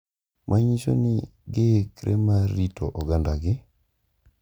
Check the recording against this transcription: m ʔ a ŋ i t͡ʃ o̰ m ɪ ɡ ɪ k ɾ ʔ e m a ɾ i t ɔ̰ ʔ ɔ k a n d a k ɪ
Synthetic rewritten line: m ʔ a ɲ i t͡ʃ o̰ n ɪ ɡ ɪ k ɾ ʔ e m a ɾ i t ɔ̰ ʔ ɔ ɡ a n d a ɡ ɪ